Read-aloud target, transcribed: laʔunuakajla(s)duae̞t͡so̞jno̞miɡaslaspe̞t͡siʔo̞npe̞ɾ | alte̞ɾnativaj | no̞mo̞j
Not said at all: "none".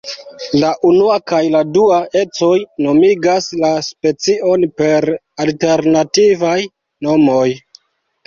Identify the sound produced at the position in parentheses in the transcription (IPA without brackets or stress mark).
none